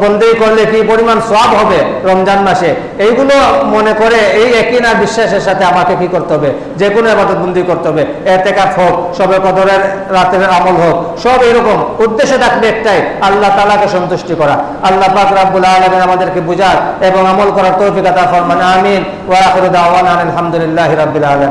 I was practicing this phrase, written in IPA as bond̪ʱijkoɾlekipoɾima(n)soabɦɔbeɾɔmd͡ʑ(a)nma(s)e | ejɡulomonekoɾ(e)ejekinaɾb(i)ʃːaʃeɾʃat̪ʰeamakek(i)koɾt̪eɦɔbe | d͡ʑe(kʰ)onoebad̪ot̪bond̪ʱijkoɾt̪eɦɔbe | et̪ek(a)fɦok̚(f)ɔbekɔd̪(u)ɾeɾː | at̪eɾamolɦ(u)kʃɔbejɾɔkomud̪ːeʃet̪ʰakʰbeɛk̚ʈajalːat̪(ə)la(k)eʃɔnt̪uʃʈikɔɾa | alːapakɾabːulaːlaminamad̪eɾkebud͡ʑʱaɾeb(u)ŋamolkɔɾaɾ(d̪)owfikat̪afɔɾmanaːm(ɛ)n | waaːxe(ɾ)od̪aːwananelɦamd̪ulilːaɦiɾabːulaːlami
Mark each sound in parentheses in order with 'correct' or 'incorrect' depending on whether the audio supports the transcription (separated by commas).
correct, correct, incorrect, correct, correct, correct, incorrect, correct, incorrect, incorrect, incorrect, incorrect, correct, incorrect, incorrect, incorrect, correct